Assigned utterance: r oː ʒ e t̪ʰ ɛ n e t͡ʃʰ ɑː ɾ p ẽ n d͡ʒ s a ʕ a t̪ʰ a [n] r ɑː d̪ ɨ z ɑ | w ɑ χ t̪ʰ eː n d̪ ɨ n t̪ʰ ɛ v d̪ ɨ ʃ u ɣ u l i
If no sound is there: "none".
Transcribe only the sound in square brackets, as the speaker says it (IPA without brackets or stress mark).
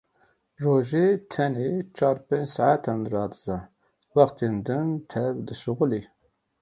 n